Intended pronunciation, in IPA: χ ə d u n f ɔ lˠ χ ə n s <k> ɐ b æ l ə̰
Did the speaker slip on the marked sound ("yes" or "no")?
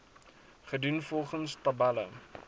yes